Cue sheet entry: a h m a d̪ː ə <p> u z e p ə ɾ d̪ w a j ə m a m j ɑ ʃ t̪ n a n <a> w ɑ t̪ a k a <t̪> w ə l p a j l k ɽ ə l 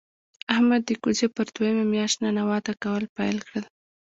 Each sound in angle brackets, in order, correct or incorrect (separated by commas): incorrect, correct, incorrect